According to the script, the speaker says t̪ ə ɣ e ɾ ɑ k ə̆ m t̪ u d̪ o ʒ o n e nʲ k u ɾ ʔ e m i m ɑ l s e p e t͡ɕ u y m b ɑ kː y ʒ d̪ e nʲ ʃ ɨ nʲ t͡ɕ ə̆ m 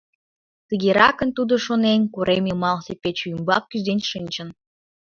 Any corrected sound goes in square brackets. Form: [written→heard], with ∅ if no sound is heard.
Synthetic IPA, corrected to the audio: t̪ ə ɣ e ɾ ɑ k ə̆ [m→n] t̪ u d̪ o [ʒ→ʃ] o n e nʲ k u ɾ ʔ e m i m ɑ l s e p e t͡ɕ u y m b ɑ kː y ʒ d̪ e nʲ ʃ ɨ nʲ t͡ɕ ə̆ [m→n]